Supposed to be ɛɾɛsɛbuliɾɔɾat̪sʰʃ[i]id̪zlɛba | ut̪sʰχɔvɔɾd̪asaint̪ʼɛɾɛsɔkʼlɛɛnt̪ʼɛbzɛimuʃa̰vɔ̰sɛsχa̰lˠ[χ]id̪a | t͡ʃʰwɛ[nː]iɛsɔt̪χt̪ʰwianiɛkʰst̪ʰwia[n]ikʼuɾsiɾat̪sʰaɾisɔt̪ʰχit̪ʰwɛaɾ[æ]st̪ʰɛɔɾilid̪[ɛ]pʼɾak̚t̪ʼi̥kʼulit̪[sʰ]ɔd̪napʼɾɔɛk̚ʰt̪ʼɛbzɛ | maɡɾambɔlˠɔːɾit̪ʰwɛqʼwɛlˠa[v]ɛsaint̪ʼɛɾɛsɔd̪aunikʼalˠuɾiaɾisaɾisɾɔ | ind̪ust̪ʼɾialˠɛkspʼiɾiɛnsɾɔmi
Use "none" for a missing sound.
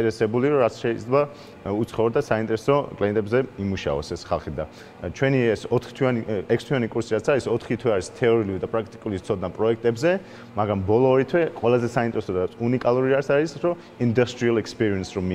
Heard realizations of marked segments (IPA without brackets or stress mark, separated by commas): ɛ, χ, n, n, i, a, sʰ, z